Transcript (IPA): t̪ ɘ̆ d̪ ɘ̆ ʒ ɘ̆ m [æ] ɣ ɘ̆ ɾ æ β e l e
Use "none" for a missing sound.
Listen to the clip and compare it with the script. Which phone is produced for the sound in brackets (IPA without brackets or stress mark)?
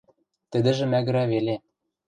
æ